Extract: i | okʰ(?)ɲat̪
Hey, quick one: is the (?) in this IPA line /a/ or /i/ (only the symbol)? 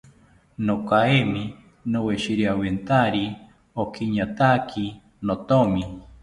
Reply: i